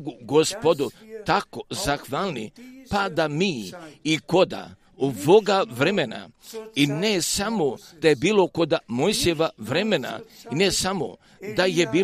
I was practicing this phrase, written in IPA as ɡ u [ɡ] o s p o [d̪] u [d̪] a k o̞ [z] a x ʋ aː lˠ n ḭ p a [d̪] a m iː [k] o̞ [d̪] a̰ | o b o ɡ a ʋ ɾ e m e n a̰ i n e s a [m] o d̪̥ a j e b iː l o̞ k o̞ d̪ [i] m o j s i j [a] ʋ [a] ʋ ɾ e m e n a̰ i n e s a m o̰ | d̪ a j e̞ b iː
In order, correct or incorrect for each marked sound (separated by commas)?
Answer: correct, correct, incorrect, correct, correct, correct, correct, correct, incorrect, incorrect, correct